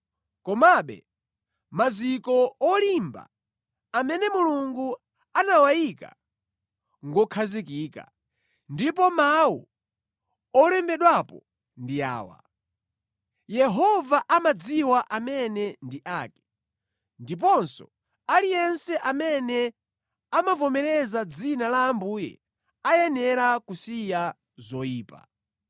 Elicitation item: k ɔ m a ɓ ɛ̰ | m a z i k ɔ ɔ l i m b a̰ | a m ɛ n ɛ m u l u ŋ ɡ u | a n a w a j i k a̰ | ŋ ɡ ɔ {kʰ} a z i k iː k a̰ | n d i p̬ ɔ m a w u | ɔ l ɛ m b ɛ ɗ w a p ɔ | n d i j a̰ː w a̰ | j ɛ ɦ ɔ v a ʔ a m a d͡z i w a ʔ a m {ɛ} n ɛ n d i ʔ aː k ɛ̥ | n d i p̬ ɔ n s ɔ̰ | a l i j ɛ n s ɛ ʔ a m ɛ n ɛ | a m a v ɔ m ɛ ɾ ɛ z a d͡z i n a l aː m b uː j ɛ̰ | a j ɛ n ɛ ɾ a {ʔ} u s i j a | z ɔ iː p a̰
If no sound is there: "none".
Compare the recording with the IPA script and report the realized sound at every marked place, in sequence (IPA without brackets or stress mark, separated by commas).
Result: kʰ, ɛ, k